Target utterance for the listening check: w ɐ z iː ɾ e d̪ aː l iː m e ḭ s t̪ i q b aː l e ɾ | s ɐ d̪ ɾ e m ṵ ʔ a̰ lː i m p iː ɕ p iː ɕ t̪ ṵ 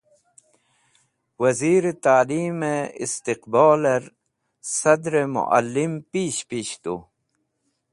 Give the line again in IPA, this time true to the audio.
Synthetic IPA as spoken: w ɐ z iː ɾ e t̪ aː l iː m e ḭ s t̪ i q b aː l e ɾ | s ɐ d̪ ɾ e m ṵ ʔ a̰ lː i m p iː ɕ p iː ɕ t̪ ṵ

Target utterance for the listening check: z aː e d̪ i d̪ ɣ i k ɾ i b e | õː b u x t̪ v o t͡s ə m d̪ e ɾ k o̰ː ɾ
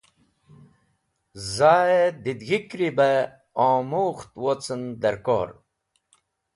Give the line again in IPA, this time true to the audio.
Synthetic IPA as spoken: z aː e d̪ i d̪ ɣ i k ɾ i b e | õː m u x t̪ w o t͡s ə n d̪ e ɾ k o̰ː ɾ

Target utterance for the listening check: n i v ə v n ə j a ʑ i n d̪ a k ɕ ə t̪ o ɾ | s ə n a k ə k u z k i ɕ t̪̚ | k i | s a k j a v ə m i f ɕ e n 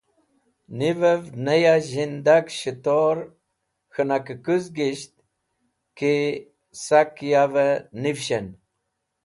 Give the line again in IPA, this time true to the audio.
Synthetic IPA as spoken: n i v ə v n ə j a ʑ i n d̪ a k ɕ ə t̪ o ɾ | x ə n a k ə k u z ɡ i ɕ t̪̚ | k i | s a k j a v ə n i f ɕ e n

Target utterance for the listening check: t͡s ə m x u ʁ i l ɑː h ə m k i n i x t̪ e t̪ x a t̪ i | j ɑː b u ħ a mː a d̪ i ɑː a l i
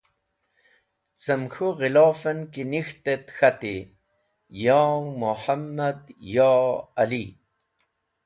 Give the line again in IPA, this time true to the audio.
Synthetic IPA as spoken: t͡s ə m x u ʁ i l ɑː f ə n k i n i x t̪ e t̪ x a t̪ i | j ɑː m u ħ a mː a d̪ j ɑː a l i

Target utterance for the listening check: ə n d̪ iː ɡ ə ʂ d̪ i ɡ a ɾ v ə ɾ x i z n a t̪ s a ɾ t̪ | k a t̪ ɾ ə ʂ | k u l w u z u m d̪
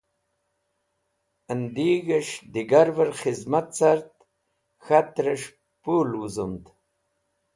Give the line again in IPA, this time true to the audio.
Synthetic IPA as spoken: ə n d̪ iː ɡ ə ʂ d̪ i ɡ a ɾ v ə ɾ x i z m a t̪ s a ɾ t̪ | x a t̪ ɾ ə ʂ | p u l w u z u m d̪

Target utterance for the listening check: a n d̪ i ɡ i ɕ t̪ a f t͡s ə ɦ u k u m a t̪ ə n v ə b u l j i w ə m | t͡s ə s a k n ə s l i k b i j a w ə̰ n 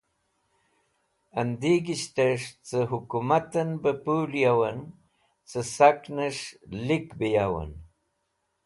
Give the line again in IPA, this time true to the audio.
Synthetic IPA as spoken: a n d̪ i ɡ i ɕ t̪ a ʂ t͡s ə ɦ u k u m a t̪ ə n b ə p u l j a w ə n | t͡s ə s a k n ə ʂ l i k b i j a w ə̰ n

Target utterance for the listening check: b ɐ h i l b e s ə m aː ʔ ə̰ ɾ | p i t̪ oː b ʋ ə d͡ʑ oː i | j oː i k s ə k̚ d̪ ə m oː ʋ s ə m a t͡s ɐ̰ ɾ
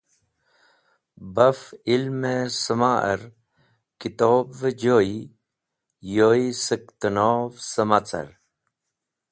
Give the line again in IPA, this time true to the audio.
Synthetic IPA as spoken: b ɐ f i l m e s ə m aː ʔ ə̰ ɾ | k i t̪ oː b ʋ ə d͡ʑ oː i | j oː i s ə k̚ t̪ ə n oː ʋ s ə m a t͡s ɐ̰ ɾ

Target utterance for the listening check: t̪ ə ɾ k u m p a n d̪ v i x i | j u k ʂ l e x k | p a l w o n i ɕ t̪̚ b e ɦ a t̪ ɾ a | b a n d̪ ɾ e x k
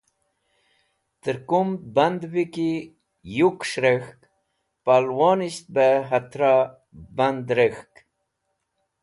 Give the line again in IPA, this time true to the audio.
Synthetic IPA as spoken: t̪ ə ɾ k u m b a n d̪ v i k i | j u k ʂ ɾ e x k | p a l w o n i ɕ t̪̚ b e ɦ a t̪ ɾ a | b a n d̪ ɾ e x k

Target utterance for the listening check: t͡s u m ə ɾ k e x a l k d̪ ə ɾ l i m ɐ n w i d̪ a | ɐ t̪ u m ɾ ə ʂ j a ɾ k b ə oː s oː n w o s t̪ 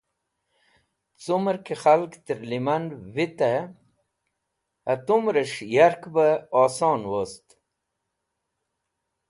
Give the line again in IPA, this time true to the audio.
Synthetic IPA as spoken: t͡s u m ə ɾ k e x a l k t̪ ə ɾ l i m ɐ n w i t̪ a | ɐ t̪ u m ɾ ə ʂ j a ɾ k b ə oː s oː n w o s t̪

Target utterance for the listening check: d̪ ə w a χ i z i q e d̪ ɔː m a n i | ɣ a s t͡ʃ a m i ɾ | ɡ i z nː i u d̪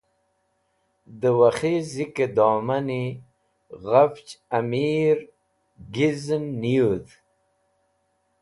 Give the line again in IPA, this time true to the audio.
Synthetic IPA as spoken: d̪ ə w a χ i z i k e d̪ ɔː m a n i | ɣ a f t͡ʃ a m i ɾ | ɡ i z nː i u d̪

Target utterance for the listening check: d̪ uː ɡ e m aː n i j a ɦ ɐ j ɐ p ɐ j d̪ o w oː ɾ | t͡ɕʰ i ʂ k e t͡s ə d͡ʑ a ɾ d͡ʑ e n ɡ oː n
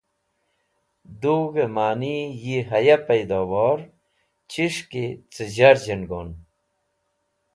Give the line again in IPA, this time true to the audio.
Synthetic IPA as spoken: d̪ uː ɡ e m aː n i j i ɦ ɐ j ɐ p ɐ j d̪ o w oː ɾ | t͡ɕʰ i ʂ k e t͡s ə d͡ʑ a ɾ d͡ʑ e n ɡ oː n

